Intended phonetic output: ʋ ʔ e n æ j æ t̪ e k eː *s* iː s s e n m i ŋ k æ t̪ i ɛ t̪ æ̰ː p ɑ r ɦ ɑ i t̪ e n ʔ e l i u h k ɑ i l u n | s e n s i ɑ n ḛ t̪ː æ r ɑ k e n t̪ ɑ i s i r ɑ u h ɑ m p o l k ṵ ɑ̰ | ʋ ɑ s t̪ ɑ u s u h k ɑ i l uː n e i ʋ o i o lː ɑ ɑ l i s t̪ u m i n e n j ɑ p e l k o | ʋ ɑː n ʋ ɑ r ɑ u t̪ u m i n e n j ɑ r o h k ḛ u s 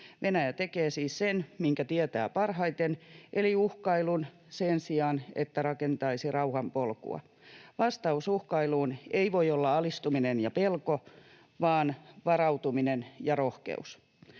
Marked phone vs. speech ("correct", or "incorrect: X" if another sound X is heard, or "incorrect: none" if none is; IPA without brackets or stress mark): correct